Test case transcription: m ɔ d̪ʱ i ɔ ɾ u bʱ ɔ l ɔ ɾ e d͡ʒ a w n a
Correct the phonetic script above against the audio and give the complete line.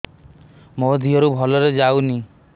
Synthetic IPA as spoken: m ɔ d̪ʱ i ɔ ɾ u bʱ ɔ l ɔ ɾ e d͡ʒ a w n i